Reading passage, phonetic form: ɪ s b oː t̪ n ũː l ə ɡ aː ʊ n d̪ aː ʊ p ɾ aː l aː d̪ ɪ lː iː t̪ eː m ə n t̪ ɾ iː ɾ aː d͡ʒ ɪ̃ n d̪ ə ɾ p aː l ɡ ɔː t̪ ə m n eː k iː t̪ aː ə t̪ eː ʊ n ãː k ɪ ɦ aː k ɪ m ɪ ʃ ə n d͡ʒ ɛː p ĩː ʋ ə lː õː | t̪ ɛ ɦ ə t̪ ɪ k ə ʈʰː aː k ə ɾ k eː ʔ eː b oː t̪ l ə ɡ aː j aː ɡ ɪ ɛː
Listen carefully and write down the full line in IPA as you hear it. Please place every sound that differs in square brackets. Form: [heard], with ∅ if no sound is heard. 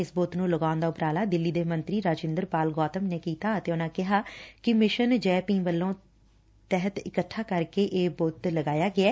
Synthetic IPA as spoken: ɪ s b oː t̪ n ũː l ə ɡ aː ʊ n d̪ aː ʊ p ɾ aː l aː d̪ ɪ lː iː [d̪] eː m ə n t̪ ɾ iː ɾ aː d͡ʒ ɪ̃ n d̪ ə ɾ p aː l ɡ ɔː t̪ ə m n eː k iː t̪ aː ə t̪ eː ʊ n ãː k ɪ ɦ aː k ɪ m ɪ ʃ ə n d͡ʒ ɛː p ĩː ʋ ə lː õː | t̪ ɛ ɦ ə t̪ ɪ k ə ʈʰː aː k ə ɾ k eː ʔ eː b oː t̪ l ə ɡ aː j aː ɡ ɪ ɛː